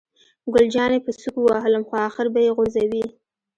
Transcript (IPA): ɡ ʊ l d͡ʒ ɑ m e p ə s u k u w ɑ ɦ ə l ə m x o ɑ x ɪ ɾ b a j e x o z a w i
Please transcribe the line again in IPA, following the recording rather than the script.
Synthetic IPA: ɡ ʊ l d͡ʒ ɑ n e p ə s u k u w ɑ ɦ ə l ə m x o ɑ x ɪ ɾ b a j e ɣ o z a w i